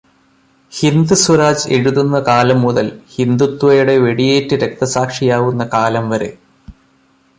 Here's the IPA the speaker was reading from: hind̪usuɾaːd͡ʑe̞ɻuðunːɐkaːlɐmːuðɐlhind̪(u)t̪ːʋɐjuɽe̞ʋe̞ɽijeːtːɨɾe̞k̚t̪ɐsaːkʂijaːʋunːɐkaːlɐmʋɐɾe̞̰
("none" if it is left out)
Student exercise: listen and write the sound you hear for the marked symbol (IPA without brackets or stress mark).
u